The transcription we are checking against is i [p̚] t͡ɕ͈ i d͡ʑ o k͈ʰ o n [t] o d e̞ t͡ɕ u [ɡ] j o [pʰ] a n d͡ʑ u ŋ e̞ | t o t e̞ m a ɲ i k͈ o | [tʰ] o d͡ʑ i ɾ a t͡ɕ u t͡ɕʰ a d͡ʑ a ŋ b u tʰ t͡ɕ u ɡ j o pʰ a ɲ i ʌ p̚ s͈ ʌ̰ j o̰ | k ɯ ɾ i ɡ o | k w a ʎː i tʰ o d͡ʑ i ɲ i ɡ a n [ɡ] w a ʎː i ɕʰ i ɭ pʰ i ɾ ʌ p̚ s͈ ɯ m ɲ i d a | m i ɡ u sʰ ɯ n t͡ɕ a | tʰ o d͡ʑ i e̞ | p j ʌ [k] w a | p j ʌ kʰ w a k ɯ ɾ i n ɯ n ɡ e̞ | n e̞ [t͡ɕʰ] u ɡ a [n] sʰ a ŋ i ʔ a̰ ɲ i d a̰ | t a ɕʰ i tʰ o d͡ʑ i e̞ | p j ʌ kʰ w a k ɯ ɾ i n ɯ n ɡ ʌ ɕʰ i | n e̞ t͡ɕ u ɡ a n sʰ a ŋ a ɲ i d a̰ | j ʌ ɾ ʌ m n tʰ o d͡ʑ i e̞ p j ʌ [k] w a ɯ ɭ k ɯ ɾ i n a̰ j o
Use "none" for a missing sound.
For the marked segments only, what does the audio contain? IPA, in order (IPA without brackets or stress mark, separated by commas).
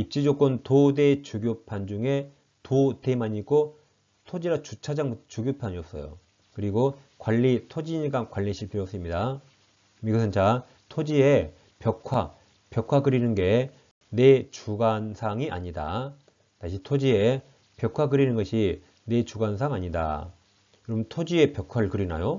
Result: p̚, t, ɡ, pʰ, tʰ, k, kʰ, t͡ɕ, n, kʰ